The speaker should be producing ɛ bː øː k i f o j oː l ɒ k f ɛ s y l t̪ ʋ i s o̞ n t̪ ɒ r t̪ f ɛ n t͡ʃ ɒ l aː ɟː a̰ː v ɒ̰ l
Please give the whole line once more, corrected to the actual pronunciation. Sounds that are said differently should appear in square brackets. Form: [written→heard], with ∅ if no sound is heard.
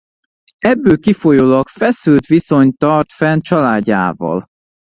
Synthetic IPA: ɛ bː øː k i f o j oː l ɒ k f ɛ s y l t̪ ʋ i s o̞ [n→ɲ] t̪ ɒ r t̪ f ɛ n t͡ʃ ɒ l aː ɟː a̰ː v ɒ̰ l